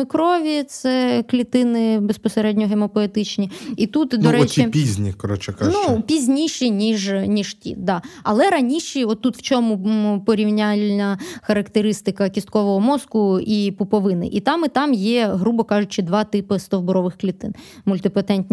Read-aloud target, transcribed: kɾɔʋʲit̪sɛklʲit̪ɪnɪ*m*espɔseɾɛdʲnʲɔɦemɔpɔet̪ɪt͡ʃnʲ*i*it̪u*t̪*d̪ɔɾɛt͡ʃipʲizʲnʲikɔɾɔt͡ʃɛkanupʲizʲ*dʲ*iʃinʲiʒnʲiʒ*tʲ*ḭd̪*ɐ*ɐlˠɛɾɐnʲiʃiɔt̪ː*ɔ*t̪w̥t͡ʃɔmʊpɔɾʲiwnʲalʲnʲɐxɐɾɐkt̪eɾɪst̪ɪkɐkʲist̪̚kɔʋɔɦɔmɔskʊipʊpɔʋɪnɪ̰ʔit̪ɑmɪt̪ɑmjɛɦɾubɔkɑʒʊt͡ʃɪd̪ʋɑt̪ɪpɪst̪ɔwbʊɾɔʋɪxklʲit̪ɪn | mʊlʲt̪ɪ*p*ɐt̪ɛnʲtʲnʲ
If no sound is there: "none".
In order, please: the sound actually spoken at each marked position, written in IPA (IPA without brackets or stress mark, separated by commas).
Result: b, i, t̪, nʲ, tʲ, ɑ, u, p